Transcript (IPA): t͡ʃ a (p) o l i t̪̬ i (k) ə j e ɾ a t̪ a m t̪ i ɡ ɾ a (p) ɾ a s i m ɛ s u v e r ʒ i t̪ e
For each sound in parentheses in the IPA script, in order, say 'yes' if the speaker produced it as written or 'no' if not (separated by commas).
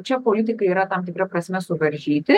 yes, yes, yes